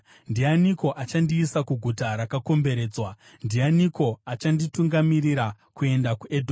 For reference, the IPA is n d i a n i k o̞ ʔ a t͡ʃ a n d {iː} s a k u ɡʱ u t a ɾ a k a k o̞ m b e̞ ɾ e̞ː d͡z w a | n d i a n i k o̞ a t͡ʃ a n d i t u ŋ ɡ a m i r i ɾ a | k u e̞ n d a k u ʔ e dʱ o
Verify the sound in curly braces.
correct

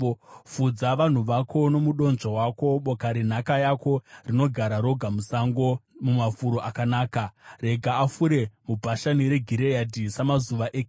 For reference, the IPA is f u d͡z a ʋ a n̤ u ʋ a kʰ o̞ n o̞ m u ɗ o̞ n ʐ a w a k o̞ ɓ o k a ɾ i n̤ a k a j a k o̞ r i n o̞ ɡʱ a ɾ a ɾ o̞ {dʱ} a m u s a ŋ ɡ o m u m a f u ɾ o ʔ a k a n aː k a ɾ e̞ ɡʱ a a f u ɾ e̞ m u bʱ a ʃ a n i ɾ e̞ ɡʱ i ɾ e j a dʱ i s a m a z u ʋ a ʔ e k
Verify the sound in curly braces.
incorrect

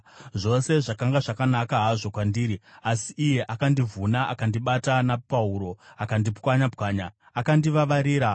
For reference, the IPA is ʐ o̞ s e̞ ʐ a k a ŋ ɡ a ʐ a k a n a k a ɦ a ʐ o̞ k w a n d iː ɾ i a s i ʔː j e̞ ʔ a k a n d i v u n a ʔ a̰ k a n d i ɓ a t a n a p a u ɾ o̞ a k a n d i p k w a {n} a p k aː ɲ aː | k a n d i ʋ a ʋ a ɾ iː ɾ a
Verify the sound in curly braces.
incorrect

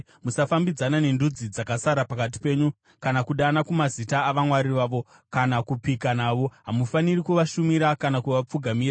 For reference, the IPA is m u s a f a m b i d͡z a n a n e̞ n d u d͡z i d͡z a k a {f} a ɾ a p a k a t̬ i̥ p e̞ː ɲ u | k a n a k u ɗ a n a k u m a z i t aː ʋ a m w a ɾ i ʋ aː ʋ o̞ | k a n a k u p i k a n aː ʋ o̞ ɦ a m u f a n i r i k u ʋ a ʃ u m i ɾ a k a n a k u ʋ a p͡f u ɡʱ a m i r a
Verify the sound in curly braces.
incorrect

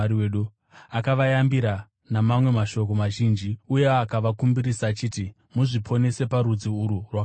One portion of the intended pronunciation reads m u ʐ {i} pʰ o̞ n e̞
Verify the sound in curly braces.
correct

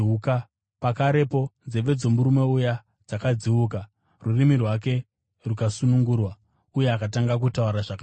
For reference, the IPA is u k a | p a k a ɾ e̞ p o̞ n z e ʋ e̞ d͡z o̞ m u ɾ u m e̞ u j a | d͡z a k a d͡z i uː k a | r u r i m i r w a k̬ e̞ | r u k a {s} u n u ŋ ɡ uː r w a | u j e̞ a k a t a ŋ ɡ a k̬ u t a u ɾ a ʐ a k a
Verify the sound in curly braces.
correct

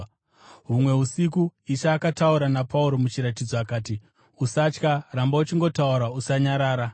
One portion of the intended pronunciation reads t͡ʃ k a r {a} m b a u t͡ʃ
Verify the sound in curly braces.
correct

